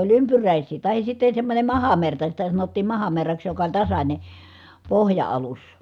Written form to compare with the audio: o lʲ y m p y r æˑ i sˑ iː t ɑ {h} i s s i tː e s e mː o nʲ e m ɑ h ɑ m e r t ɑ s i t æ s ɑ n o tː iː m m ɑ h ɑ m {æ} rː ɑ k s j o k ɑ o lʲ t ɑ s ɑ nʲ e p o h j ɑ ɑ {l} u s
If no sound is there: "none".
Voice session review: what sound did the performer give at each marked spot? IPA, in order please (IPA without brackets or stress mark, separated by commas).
h, e, l